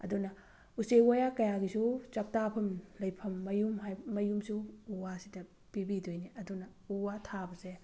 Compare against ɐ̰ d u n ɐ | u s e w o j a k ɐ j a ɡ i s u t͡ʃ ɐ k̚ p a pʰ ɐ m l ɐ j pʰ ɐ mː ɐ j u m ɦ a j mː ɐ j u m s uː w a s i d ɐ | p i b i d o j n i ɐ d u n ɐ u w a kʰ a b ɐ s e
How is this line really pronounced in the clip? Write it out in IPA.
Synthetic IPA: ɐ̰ d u n ɐ | u s e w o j a k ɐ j a ɡ i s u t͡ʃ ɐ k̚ t a pʰ ɐ m l ɐ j pʰ ɐ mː ɐ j u m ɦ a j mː ɐ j u m s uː w a s i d ɐ | p i b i d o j n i ɐ d u n ɐ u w a tʰ a b ɐ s e